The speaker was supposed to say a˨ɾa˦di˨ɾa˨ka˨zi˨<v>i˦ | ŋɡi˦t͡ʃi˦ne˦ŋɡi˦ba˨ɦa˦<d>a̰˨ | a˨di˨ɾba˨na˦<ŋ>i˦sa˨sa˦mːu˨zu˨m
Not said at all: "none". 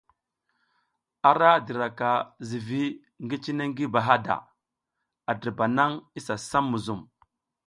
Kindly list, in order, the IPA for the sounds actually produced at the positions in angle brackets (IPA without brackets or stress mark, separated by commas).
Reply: v, d, ŋ